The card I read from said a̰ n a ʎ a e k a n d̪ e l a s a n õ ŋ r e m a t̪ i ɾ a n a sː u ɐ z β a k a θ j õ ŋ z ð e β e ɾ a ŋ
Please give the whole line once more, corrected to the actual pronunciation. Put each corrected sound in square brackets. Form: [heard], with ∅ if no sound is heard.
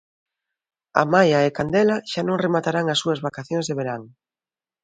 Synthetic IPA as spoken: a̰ [m] a [j] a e k a n d̪ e l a [ʃ] a n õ ŋ r e m a t̪ [a] ɾ a [ŋ] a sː u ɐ z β a k a θ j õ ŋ z ð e β e ɾ a ŋ